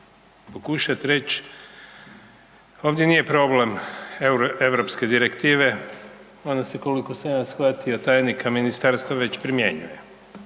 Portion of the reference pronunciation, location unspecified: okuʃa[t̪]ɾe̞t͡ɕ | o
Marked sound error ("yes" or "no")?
no